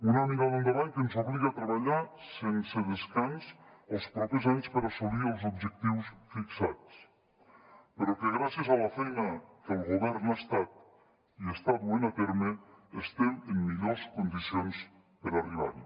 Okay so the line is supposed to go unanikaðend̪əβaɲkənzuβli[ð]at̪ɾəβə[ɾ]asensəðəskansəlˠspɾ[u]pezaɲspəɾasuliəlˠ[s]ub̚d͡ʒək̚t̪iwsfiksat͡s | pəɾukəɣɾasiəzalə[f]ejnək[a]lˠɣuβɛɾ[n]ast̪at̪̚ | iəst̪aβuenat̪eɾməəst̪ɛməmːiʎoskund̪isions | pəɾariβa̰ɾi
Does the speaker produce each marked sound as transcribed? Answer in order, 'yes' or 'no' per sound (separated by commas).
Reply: no, no, no, no, yes, no, yes